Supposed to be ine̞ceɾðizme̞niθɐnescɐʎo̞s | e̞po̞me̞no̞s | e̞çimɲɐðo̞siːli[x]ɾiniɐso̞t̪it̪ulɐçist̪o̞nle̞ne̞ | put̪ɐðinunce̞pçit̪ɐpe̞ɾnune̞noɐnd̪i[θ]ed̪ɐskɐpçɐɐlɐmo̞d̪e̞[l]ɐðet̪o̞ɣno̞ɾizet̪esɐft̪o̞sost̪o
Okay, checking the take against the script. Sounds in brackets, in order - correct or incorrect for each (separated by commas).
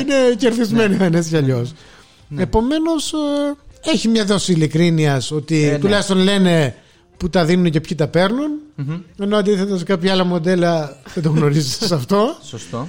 incorrect, correct, correct